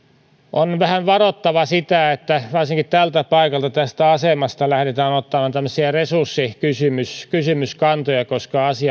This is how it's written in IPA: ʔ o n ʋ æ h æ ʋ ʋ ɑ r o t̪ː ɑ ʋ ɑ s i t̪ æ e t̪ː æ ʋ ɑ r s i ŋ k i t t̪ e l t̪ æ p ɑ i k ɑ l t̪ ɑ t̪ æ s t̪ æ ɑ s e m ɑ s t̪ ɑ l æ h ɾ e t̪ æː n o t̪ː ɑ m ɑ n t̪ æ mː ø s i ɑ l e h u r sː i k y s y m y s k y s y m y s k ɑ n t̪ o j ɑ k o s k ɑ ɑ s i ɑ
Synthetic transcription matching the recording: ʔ o n ʋ æ h æ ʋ ʋ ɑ r o t̪ː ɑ ʋ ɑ s i t̪ æ e t̪ː æ ʋ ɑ r s i ŋ k i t t̪ æ l t̪ æ p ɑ i k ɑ l t̪ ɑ t̪ æ s t̪ æ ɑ s e m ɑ s t̪ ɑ l æ h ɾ e t̪ æː n o t̪ː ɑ m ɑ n t̪ æ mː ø s i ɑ r e s u r sː i k y s y m y s k y s y m y s k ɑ n t̪ o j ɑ k o s k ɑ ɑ s i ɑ

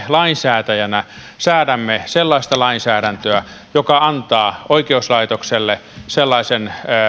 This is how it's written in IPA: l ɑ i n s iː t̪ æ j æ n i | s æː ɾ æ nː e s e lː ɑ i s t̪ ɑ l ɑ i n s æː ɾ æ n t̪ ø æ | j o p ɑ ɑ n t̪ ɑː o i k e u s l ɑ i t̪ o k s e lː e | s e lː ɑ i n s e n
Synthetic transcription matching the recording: l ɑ i n s æː t̪ æ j æ n æ | s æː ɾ æ mː e s e lː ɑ i s t̪ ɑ l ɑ i n s æː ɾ æ n t̪ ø æ | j o k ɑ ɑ n t̪ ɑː o i k e u s l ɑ i t̪ o k s e lː e | s e lː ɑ i s e n

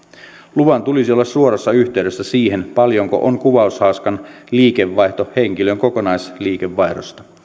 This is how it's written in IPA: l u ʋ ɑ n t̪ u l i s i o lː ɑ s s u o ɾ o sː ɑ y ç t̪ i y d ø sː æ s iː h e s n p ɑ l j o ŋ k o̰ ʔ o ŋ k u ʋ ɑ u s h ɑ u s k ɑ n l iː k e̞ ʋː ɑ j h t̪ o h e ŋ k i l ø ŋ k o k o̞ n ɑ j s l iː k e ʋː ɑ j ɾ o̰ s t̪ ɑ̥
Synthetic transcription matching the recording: l u ʋ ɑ n t̪ u l i s i o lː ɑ s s u o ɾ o sː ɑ y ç t̪ e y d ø sː æ s iː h e n p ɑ l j o ŋ k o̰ ʔ o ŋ k u ʋ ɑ u s h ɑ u s k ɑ n l iː k e̞ ʋː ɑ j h t̪ o h e ŋ k i l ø ŋ k o k o̞ n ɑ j s l iː k e ʋː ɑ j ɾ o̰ s t̪ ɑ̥

